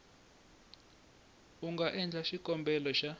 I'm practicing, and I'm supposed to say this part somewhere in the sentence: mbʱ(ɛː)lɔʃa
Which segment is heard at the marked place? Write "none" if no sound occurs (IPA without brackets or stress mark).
ɛ